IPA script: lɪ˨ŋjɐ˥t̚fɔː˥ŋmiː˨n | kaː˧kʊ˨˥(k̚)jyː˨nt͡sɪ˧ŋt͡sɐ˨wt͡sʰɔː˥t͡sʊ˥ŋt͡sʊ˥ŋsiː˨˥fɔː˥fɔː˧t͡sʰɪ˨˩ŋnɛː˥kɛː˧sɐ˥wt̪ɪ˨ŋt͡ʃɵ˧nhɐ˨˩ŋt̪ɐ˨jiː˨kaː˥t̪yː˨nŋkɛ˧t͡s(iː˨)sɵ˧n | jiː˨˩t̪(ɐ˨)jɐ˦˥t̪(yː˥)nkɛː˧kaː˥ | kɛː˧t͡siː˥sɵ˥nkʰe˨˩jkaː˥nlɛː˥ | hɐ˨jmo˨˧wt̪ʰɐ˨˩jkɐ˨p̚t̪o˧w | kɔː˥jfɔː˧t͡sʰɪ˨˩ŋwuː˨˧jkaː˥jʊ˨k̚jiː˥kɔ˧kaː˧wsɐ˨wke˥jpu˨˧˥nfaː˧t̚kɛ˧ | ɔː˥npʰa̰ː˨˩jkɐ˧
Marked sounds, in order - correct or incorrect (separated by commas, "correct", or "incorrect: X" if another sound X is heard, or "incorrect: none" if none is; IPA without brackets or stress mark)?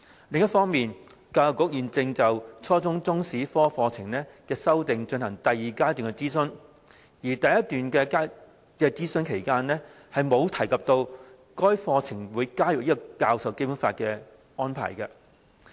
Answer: correct, incorrect: iː˥, correct, incorrect: yː˨